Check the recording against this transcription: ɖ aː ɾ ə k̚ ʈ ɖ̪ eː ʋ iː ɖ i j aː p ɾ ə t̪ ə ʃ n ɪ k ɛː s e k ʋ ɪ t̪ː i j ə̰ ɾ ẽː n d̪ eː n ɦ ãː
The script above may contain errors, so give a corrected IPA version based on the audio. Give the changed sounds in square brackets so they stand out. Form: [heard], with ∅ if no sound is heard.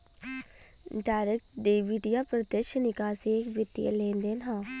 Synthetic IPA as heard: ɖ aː ɾ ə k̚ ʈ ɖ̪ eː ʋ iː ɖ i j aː p ɾ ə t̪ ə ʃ n ɪ k [aː] s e k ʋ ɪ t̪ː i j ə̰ [l] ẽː n d̪ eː n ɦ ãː